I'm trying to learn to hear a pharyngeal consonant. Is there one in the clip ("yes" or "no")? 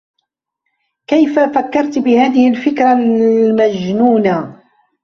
no